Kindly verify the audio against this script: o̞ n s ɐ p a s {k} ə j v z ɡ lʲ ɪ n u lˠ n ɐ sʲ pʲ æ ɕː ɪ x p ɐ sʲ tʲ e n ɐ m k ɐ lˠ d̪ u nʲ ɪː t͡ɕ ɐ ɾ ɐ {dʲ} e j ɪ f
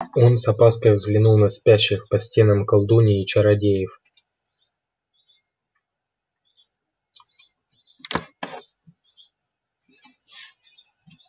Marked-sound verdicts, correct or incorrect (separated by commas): correct, correct